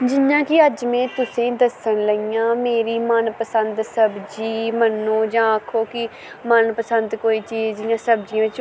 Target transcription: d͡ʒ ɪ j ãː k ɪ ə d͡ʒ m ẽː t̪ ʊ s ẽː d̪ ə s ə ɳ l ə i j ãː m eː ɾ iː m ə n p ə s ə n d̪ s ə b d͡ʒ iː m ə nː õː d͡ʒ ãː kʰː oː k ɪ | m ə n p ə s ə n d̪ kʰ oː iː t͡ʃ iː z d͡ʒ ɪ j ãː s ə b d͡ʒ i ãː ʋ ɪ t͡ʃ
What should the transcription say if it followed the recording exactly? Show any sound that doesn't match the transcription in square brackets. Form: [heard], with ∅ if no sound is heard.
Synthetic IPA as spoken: d͡ʒ ɪ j ãː k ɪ ə d͡ʒ m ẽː t̪ ʊ s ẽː d̪ ə s ə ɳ l ə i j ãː m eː ɾ iː m ə n p ə s ə n d̪ s ə b d͡ʒ iː m ə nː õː d͡ʒ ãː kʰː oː k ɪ | m ə n p ə s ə n d̪ [k] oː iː t͡ʃ iː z d͡ʒ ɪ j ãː s ə b d͡ʒ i ãː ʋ ɪ t͡ʃ